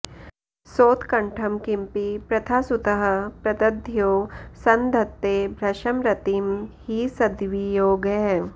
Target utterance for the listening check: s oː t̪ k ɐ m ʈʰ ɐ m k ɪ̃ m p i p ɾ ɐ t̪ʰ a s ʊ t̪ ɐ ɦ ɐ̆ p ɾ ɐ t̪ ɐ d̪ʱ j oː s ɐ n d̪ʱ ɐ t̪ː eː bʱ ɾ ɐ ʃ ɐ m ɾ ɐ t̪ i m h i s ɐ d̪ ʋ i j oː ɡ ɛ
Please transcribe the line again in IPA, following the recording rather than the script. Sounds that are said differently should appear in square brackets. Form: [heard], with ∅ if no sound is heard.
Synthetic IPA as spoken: s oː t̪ k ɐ [ɳ] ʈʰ ɐ m k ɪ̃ m p i p ɾ ɐ t̪ʰ a s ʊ t̪ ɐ ɦ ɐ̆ p ɾ ɐ t̪ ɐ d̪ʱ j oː s ɐ n d̪ʱ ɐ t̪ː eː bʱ ɾ ɐ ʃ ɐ m ɾ ɐ t̪ i m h i s ɐ d̪ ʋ i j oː ɡ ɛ

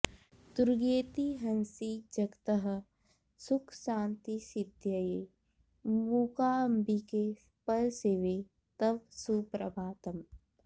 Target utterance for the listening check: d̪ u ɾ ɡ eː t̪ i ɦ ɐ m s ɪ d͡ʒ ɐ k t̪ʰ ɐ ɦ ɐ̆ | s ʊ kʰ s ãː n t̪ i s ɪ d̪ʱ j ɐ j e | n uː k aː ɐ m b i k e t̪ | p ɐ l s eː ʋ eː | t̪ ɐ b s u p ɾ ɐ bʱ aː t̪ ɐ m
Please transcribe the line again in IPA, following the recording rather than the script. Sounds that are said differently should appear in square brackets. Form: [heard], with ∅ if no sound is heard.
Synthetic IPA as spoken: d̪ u ɾ ɡ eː t̪ i ɦ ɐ [n] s [i] d͡ʒ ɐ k [t̪] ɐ ɦ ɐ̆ | s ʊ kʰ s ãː n t̪ i s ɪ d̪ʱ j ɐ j e | [m] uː k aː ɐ m b i k e [∅] | p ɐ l s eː ʋ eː | t̪ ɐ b s u p ɾ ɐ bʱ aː t̪ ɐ m

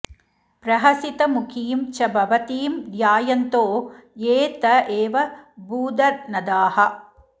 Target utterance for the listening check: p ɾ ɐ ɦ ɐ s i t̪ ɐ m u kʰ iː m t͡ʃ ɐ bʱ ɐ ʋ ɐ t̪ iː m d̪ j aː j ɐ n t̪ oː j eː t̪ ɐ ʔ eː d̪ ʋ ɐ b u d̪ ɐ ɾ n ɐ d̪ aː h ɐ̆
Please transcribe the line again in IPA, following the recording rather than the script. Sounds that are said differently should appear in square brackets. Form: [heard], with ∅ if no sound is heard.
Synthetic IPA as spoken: p ɾ ɐ ɦ ɐ s i t̪ ɐ m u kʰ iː m t͡ʃ ɐ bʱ ɐ ʋ ɐ t̪ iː m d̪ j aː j ɐ n t̪ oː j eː t̪ ɐ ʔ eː [∅] ʋ ɐ b [uː] d̪ ɐ ɾ n ɐ d̪ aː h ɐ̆

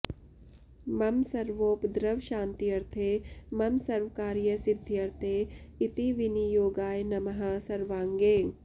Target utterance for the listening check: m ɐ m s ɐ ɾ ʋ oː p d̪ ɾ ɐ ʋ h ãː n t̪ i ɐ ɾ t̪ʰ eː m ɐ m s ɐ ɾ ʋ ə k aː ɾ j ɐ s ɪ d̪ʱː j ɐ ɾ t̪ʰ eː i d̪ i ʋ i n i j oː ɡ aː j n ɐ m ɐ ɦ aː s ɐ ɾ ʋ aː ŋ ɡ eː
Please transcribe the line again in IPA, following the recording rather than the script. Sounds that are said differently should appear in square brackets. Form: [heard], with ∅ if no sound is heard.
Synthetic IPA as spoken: m ɐ m s ɐ ɾ ʋ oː p d̪ ɾ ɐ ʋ [ʃ] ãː n t̪ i ɐ ɾ t̪ʰ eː m ɐ m s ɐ ɾ ʋ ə k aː ɾ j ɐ s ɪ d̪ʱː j ɐ ɾ t̪ʰ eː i [t̪] i ʋ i n i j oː ɡ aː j n ɐ m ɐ ɦ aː s ɐ ɾ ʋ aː ŋ ɡ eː

